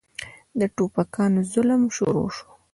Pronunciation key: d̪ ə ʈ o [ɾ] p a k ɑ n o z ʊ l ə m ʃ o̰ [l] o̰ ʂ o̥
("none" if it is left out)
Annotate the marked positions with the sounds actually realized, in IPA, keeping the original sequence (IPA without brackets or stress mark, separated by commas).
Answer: none, ɾ